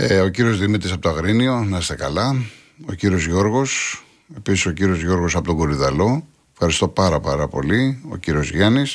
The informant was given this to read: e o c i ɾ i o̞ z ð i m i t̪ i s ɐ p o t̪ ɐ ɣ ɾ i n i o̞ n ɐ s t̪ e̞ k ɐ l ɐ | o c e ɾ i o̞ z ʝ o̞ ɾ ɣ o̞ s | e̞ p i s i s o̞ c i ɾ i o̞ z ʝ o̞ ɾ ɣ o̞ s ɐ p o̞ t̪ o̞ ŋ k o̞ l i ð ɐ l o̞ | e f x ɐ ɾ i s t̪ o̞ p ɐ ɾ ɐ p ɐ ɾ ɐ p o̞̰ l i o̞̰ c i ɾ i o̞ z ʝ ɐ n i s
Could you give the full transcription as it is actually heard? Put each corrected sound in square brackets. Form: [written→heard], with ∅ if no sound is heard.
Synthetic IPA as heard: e o c i ɾ i o̞ z ð i m i t̪ i s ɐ p o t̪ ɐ ɣ ɾ i n i o̞ n ɐ s t̪ e̞ k ɐ l ɐ | o c [e→i] ɾ i o̞ z ʝ o̞ ɾ ɣ o̞ s | e̞ p i s i s o̞ c i ɾ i o̞ z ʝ o̞ ɾ ɣ o̞ s ɐ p o̞ t̪ o̞ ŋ [k→ɡ] o̞ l i ð ɐ l o̞ | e f x ɐ ɾ i s t̪ o̞ p ɐ ɾ ɐ p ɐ ɾ ɐ p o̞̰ l i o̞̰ c i ɾ i o̞ z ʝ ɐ n i s